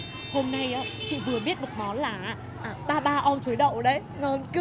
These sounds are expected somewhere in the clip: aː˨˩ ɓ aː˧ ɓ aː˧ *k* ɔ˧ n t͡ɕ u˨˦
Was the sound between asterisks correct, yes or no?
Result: no